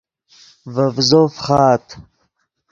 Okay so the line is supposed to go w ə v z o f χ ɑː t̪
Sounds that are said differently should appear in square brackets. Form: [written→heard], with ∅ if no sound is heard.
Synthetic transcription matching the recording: [w→v] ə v z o f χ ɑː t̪